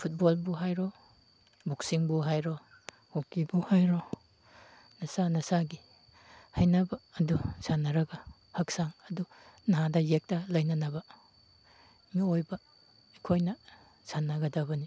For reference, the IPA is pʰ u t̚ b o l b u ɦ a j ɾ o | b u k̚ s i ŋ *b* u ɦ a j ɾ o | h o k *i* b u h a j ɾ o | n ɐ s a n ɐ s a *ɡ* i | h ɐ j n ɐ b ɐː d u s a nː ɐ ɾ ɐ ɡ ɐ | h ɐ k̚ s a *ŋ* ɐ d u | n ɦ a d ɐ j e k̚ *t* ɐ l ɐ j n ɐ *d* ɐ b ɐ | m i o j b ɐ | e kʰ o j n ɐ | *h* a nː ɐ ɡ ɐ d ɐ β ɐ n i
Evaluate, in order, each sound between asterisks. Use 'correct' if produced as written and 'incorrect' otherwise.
correct, correct, correct, correct, correct, incorrect: n, incorrect: s

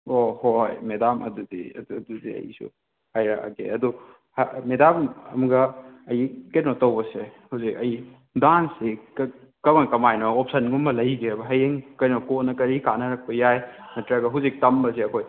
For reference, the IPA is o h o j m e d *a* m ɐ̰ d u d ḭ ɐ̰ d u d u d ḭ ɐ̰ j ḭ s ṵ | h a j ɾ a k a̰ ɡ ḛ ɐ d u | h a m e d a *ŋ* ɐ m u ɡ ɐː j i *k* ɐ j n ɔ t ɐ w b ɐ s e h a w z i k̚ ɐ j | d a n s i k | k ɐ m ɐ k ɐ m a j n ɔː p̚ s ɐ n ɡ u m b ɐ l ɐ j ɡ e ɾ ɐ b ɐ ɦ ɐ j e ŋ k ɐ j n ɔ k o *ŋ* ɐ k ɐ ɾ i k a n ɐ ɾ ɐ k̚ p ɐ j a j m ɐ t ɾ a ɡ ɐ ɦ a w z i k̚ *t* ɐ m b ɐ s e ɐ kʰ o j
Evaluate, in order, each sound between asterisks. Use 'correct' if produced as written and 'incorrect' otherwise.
correct, incorrect: m, correct, incorrect: n, correct

